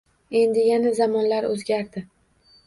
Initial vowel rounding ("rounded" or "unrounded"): unrounded